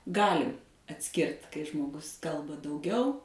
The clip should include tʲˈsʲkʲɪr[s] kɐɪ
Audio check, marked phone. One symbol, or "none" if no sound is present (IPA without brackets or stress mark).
t